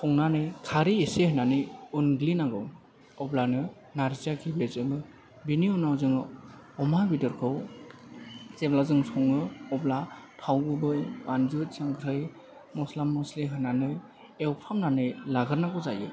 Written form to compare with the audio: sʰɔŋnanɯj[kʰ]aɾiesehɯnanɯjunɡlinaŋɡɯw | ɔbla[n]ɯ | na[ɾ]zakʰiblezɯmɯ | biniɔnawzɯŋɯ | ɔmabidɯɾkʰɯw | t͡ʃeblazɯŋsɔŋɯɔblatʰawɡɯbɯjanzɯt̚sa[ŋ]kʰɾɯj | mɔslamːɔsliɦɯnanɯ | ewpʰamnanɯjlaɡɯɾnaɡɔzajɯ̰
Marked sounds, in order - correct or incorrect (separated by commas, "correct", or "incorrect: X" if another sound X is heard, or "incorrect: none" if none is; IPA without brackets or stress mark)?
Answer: correct, correct, correct, correct